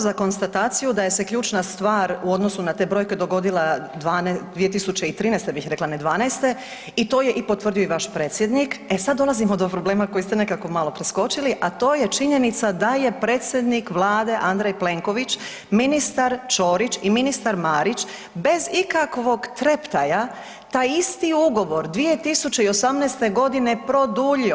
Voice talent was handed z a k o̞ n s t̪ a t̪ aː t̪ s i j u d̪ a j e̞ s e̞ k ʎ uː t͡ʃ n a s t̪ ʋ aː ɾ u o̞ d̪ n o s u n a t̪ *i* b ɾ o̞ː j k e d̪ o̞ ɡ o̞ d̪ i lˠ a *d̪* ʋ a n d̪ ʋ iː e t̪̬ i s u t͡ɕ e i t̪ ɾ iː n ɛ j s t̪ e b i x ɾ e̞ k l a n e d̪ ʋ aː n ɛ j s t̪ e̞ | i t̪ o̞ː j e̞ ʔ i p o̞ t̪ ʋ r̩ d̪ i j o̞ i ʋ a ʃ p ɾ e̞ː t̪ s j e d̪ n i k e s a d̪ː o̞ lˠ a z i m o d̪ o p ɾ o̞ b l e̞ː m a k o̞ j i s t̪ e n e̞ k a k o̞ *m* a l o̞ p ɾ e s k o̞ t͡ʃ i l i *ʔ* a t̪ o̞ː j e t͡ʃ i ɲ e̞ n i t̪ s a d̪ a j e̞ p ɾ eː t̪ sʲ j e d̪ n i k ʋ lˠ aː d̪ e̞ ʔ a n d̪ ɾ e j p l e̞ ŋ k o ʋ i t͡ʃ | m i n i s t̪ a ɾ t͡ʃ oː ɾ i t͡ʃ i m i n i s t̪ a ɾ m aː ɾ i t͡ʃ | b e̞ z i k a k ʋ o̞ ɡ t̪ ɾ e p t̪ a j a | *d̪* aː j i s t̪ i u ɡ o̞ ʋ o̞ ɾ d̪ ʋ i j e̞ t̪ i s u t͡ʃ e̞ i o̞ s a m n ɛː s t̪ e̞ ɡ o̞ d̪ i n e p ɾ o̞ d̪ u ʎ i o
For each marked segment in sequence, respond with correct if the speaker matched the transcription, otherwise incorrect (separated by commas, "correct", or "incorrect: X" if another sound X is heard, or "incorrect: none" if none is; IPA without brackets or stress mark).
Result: incorrect: e, correct, correct, correct, incorrect: t̪